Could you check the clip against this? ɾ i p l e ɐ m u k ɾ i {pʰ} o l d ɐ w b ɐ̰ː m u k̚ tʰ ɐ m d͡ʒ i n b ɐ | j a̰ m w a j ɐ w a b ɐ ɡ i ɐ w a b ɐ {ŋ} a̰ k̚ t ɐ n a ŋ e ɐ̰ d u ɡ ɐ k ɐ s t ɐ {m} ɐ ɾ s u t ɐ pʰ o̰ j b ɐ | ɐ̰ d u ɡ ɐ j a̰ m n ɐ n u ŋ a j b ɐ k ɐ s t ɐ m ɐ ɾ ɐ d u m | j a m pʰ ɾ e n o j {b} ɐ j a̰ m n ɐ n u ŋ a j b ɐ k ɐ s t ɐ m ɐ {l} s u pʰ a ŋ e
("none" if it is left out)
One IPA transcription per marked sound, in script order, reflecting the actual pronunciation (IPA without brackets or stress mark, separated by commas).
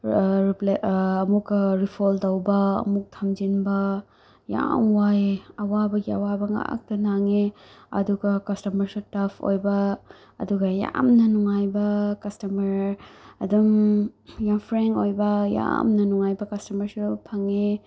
pʰ, ŋ, m, b, ɾ